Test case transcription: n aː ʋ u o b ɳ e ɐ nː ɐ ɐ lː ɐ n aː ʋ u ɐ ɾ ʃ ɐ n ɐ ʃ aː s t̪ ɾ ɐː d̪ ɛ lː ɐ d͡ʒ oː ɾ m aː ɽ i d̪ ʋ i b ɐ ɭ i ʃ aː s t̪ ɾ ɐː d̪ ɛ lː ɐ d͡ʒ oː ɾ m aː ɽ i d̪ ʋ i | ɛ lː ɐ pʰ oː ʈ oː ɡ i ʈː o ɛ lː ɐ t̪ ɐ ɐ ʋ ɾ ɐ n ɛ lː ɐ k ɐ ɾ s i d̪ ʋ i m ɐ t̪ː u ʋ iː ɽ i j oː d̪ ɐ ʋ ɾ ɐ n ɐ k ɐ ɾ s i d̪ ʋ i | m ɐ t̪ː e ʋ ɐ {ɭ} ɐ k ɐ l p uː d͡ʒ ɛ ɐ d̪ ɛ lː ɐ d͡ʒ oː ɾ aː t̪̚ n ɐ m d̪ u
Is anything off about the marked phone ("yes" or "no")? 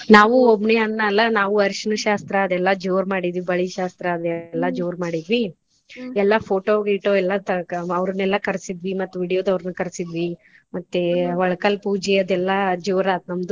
no